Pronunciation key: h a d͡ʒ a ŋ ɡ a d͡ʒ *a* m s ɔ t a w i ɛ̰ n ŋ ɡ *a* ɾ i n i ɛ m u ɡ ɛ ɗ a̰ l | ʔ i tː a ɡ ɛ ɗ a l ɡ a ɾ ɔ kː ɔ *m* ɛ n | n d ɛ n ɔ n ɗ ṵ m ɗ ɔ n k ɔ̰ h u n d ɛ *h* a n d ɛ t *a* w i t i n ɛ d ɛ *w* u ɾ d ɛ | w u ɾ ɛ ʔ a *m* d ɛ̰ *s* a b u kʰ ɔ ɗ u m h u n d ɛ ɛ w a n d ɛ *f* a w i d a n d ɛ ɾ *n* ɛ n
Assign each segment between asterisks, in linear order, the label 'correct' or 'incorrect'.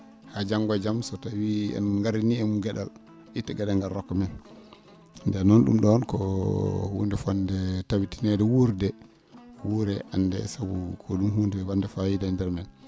correct, correct, correct, incorrect, correct, correct, incorrect, correct, correct, incorrect

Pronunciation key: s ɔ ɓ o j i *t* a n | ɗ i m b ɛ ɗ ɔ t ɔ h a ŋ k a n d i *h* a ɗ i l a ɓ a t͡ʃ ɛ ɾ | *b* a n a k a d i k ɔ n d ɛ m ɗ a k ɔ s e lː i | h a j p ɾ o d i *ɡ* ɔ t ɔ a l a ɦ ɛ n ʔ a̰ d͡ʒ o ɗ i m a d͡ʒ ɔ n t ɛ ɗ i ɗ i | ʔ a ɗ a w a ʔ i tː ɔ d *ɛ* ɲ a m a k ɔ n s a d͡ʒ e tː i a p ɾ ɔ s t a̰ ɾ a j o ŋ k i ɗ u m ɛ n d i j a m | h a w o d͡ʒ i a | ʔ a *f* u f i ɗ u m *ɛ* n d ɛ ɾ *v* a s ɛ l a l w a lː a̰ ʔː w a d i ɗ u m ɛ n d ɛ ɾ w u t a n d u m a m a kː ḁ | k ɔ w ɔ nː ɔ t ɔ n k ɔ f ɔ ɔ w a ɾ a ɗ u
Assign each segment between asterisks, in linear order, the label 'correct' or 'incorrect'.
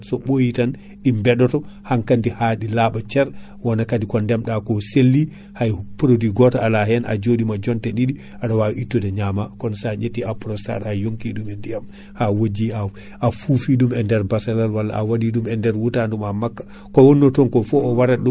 correct, correct, incorrect, correct, correct, correct, correct, incorrect

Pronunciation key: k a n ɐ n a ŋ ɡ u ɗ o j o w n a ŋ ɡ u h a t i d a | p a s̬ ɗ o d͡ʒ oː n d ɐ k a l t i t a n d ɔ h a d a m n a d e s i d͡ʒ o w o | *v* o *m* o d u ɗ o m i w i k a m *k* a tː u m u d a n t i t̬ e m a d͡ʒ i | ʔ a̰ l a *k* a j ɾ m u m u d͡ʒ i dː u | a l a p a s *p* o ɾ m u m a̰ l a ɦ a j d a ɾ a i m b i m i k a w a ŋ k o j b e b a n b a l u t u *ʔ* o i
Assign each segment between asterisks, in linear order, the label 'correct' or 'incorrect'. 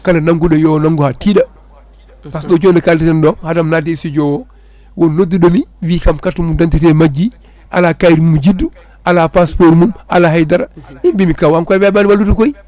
incorrect, incorrect, correct, correct, correct, incorrect

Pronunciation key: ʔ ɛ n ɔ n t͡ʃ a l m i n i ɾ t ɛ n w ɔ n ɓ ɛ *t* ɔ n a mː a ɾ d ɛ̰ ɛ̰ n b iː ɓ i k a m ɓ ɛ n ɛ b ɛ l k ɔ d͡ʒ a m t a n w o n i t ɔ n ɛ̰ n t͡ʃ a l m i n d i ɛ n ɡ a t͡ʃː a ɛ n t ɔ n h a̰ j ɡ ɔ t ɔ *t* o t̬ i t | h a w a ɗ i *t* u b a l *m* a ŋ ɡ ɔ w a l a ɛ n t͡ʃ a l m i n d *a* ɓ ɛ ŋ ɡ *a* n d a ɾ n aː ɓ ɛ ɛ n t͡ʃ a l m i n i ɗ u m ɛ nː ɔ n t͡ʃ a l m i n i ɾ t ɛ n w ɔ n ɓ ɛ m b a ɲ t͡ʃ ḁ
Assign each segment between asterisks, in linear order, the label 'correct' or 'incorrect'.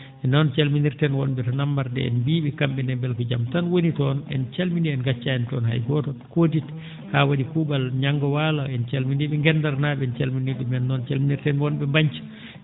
correct, incorrect, incorrect, incorrect, incorrect, incorrect

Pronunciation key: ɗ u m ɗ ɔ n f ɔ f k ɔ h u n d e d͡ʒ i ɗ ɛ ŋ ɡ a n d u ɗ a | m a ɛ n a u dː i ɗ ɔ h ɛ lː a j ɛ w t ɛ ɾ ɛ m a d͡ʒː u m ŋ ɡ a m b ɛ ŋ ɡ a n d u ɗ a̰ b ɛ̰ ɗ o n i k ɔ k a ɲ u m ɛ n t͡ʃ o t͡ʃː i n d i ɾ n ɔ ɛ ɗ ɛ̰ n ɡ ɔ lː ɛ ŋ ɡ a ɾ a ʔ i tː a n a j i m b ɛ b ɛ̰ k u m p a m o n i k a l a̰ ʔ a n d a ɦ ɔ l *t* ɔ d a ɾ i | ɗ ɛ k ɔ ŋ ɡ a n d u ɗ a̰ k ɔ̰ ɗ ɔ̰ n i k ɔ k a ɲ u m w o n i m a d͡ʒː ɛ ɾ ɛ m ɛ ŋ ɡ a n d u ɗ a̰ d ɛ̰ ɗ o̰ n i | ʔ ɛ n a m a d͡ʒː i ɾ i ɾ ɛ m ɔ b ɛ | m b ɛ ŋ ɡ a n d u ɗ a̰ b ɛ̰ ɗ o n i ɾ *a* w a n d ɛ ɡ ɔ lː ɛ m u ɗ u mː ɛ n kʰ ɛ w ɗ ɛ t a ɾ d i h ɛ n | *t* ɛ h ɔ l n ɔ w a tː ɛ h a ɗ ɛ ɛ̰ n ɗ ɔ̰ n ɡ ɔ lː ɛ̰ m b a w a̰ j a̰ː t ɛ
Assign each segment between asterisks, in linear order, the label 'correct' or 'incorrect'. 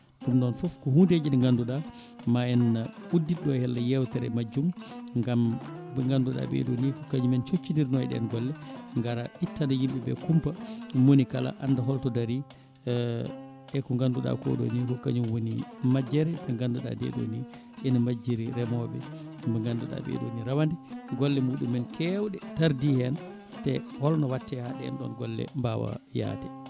correct, correct, correct

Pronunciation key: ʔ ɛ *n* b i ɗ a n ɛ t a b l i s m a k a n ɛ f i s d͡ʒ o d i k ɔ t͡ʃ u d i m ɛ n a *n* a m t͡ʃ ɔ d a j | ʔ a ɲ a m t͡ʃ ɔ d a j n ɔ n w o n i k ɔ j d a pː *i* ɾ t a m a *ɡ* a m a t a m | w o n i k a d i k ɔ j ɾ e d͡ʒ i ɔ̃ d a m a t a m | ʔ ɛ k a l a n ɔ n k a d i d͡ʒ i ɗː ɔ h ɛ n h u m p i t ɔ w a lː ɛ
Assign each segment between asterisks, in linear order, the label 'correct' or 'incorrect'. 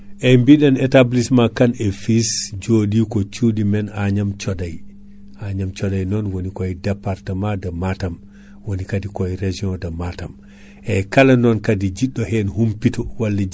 incorrect, incorrect, incorrect, incorrect

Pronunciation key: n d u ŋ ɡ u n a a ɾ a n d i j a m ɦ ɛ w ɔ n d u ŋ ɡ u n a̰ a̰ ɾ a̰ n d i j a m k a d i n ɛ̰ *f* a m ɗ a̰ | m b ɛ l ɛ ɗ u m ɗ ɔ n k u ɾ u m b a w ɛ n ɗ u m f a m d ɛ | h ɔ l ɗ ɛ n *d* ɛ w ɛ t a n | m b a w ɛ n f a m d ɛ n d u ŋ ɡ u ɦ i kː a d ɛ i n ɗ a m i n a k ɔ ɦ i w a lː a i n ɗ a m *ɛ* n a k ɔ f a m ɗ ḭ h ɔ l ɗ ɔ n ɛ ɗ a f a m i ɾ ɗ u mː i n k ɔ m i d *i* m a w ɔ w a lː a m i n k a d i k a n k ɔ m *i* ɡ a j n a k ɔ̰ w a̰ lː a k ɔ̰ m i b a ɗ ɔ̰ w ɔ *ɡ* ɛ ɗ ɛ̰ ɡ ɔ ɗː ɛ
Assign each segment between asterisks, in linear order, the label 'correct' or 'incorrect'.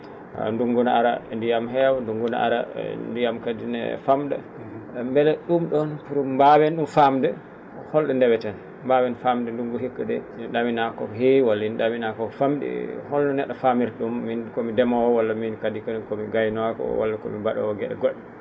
correct, correct, incorrect, incorrect, correct, correct

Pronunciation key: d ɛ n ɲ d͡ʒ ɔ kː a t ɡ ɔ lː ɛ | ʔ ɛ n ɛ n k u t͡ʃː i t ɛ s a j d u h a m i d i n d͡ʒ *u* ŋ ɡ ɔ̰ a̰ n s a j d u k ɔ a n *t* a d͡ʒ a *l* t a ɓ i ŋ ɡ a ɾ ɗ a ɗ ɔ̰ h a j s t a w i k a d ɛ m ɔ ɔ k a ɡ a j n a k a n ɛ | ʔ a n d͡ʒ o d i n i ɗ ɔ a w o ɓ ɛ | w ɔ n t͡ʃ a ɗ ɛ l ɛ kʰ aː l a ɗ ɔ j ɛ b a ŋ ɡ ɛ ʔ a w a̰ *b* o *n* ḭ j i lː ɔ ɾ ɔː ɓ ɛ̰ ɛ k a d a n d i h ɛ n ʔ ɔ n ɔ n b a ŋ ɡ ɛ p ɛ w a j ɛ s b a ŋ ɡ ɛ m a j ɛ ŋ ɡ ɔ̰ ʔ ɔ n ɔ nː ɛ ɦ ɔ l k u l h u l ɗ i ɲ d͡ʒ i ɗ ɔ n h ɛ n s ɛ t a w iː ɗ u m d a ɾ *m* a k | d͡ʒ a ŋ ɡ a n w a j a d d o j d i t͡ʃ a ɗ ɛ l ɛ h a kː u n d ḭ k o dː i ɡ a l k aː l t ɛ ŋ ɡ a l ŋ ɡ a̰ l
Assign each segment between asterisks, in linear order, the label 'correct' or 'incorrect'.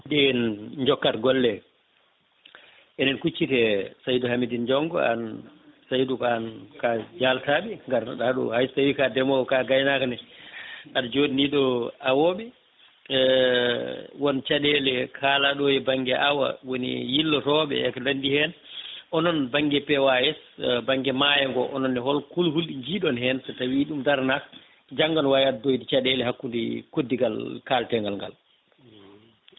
incorrect, incorrect, correct, incorrect, correct, incorrect

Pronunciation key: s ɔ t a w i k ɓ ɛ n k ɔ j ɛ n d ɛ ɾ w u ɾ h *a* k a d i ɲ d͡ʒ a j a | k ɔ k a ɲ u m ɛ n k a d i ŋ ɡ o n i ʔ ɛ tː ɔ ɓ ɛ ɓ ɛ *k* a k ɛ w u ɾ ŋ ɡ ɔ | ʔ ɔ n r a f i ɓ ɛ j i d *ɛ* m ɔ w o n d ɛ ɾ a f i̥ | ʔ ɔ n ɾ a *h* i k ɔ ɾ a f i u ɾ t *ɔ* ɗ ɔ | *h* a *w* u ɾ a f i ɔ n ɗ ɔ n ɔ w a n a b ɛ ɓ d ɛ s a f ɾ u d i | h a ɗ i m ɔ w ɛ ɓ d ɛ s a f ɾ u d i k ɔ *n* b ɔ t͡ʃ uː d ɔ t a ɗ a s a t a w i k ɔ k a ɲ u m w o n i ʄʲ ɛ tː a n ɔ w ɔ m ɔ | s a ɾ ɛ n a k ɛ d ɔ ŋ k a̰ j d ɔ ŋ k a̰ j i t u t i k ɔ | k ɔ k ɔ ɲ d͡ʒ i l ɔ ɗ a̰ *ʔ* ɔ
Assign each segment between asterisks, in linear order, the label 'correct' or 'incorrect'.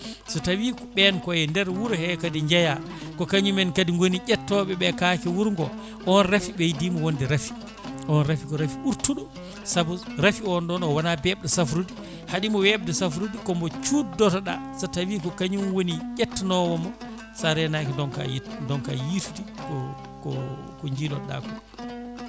incorrect, correct, incorrect, incorrect, incorrect, incorrect, incorrect, incorrect, incorrect

